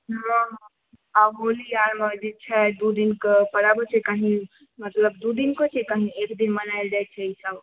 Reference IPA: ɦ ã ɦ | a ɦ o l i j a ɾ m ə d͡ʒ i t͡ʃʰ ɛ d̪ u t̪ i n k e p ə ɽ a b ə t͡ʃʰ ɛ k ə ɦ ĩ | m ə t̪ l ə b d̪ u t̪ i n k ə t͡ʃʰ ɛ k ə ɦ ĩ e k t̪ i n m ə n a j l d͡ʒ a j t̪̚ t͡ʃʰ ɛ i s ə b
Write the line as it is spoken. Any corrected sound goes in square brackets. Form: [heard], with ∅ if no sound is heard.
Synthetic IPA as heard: ɦ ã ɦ | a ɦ o l i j a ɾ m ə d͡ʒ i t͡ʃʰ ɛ d̪ u [d̪] i n k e p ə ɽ a b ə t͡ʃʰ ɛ k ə ɦ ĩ | m ə t̪ l ə b d̪ u [d̪] i n k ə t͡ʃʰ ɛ k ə ɦ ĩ e k [d̪] i n m ə n a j l d͡ʒ a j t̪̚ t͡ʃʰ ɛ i s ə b